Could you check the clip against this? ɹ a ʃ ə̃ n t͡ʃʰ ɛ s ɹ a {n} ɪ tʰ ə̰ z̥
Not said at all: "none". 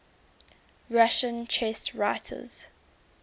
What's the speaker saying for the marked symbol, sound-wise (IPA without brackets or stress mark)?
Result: none